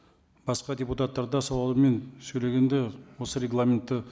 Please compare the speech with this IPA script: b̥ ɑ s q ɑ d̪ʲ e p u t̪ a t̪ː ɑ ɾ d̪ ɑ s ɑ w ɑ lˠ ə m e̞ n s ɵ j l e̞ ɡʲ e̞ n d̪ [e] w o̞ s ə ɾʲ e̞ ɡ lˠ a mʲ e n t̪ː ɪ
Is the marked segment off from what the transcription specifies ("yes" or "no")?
no